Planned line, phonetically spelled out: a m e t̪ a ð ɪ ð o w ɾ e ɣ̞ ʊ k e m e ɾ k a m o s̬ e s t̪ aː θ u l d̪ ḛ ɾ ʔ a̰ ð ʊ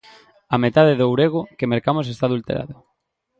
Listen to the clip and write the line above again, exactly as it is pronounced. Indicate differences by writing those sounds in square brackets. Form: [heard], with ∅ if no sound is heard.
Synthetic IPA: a m e t̪ a ð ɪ ð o w ɾ e ɣ̞ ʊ k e m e ɾ k a m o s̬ e s t̪ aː [ð] u l [t̪] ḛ ɾ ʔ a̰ ð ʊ